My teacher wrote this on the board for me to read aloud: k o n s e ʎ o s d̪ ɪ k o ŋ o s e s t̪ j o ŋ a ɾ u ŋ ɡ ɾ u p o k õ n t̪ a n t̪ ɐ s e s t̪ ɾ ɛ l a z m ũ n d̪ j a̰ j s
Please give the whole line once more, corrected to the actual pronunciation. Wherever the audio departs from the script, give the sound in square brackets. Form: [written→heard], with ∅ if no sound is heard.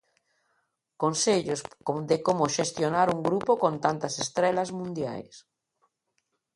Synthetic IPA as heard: k o n s e ʎ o s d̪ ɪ k o [ŋ→m] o [s→ʃ] e s t̪ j o [ŋ→n] a ɾ u ŋ ɡ ɾ u p o k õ n t̪ a n t̪ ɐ s e s t̪ ɾ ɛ l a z m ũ n d̪ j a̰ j s